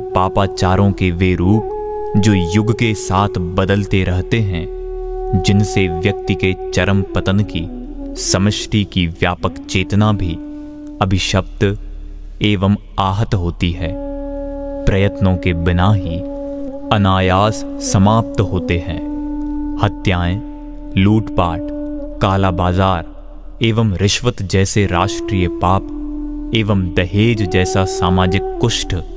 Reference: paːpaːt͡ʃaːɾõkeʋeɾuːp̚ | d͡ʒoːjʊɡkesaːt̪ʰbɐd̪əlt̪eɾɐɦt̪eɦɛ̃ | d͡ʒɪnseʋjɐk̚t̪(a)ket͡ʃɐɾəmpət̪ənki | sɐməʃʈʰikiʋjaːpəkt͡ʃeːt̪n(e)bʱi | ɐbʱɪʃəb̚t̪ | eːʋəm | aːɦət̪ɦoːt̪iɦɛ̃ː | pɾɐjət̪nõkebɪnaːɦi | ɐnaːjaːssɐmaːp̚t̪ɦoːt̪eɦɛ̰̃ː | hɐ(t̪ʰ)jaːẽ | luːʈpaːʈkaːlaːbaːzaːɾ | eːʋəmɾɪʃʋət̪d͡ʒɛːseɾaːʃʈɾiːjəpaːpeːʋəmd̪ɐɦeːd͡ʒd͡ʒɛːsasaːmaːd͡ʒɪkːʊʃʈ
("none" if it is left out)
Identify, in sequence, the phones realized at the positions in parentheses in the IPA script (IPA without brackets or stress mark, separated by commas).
i, a, t̪